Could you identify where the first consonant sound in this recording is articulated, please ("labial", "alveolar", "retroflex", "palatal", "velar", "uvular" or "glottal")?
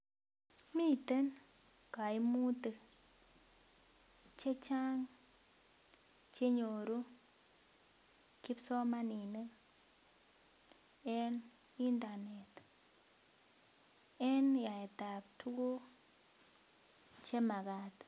labial